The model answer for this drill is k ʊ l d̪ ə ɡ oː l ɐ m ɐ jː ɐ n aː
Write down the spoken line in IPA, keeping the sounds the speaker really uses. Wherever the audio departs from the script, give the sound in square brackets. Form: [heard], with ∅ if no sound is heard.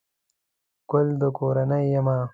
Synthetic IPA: k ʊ l d̪ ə [k] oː [ɾ] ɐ [n] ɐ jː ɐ [m] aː